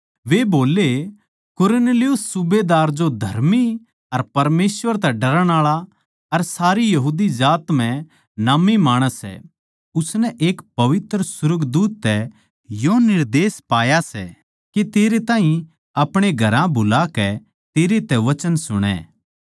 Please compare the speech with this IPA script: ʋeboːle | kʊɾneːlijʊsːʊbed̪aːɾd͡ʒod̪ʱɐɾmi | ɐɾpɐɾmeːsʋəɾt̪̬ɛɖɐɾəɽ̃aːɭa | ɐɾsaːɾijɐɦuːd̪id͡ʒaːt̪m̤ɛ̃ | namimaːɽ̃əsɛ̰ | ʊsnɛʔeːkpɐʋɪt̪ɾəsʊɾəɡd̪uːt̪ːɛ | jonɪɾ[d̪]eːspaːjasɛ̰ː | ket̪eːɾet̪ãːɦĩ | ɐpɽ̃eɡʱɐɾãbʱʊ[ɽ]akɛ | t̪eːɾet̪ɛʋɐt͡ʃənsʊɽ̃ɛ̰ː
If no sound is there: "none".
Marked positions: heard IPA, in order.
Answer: d̪, l

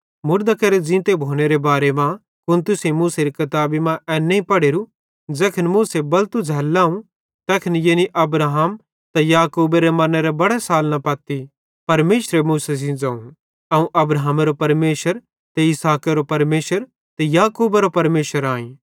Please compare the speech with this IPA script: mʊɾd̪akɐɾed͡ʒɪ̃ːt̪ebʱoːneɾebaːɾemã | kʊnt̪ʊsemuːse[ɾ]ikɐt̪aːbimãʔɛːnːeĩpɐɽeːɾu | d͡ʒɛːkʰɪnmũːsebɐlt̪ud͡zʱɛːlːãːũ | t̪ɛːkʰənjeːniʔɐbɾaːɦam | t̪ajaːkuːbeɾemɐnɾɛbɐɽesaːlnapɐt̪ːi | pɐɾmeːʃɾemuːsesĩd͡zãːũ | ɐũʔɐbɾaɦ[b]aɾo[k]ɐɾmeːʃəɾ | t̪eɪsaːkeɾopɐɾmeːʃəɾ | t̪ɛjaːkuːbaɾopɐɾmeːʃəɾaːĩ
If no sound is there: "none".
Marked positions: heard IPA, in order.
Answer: ɾ, m, p

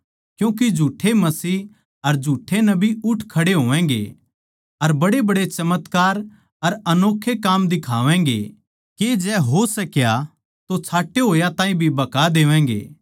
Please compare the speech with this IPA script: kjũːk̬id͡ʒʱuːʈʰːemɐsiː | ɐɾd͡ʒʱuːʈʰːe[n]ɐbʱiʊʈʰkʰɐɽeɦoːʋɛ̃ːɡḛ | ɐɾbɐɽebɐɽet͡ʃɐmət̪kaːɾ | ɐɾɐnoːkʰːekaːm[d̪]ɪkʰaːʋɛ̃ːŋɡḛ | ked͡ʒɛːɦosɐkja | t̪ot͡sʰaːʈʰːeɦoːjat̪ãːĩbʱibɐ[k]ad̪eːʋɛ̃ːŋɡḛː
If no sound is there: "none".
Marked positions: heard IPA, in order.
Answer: n, d̪, k

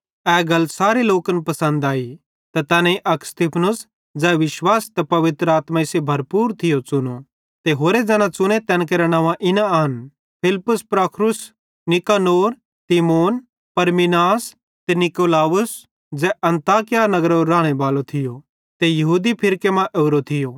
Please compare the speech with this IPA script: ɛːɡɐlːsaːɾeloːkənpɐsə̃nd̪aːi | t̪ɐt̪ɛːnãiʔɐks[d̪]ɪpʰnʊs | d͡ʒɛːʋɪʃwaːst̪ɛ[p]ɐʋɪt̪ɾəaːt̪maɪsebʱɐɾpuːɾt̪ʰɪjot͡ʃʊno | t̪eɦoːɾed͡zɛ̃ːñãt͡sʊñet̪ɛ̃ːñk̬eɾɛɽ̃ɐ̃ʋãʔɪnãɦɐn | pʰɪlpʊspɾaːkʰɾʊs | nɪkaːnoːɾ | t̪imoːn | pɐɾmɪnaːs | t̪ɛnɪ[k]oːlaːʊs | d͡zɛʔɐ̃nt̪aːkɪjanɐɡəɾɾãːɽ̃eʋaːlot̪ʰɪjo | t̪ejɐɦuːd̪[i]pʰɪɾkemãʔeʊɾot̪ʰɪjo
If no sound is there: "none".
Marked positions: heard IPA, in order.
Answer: t̪, p, k, i

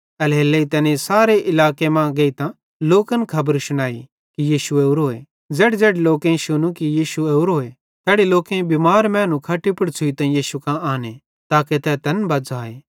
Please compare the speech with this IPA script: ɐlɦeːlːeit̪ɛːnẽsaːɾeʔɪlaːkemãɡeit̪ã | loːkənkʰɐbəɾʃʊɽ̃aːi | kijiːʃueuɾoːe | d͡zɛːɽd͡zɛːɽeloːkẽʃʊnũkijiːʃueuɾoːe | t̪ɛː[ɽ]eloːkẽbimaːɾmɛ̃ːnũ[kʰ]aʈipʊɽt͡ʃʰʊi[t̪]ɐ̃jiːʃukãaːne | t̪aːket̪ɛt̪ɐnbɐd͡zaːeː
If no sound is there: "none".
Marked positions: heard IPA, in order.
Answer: ɽ, kʰ, t̪

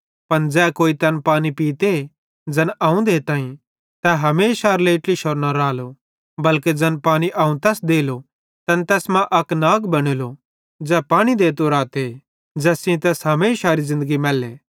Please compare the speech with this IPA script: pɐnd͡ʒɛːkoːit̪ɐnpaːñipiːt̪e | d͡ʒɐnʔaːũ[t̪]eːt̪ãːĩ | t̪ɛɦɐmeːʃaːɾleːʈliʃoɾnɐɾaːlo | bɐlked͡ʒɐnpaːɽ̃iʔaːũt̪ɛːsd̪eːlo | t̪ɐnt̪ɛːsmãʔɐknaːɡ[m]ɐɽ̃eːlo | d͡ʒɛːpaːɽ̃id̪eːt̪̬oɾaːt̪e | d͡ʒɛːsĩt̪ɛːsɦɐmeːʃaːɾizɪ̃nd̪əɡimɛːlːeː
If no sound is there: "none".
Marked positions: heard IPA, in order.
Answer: d̪, b

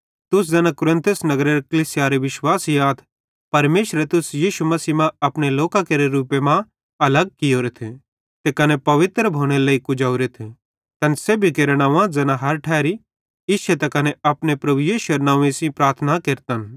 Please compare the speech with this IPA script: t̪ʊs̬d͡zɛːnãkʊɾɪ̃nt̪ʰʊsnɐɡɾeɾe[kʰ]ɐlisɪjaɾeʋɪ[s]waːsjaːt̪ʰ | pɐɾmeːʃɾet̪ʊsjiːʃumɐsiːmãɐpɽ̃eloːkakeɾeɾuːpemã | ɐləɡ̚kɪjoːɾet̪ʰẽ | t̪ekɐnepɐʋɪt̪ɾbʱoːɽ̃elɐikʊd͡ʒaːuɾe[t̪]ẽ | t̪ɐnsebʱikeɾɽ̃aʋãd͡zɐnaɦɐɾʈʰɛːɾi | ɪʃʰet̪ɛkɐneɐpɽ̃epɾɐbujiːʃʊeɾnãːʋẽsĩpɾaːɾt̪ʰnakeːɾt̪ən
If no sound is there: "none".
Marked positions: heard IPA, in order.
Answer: k, ʃ, t̪ʰ

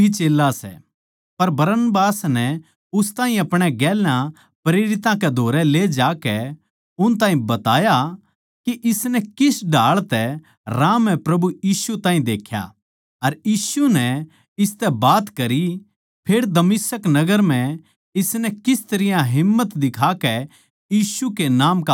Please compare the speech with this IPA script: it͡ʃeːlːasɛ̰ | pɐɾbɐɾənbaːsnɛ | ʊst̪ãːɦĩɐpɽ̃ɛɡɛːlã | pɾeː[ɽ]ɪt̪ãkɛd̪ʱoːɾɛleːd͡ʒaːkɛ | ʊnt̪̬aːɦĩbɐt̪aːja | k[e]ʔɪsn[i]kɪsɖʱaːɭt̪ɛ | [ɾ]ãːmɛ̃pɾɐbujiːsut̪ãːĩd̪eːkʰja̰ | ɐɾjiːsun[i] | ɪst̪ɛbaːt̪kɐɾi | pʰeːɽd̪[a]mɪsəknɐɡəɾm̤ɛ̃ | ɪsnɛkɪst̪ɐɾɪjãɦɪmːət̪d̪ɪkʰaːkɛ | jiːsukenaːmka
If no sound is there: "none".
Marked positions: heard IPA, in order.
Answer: ɾ, i, ɛ, ɾ, ɛ, ɐ

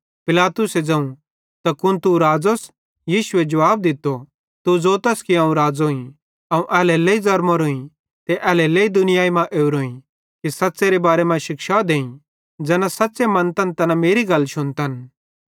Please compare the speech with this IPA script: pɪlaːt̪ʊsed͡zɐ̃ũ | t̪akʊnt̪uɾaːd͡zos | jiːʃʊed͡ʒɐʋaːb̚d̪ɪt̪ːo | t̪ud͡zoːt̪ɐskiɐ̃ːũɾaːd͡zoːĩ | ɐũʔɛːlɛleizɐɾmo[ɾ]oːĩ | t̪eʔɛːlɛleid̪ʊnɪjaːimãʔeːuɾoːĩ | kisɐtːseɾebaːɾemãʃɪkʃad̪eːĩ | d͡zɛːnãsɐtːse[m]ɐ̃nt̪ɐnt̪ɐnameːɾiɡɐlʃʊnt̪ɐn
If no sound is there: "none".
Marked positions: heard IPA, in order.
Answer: ɾ, m

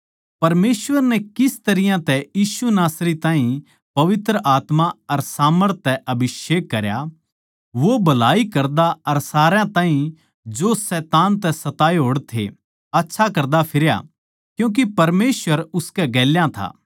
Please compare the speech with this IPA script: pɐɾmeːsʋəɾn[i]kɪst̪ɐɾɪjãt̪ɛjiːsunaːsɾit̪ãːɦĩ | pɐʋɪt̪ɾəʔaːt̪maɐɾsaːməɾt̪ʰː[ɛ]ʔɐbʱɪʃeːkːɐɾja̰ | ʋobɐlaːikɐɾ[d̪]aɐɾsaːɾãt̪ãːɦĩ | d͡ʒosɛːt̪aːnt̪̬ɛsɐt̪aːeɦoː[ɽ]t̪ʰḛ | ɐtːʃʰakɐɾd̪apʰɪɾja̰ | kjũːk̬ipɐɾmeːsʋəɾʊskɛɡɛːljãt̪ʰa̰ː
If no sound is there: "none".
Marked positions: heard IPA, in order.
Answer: ɛ, ɛ, d̪, ɽ

